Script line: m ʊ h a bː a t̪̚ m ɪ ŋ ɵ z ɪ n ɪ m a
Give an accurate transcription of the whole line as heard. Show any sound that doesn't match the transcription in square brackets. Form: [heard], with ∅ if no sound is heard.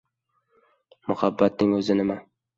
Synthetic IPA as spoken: m ʊ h a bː a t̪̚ [n] ɪ ŋ ɵ z ɪ n ɪ m a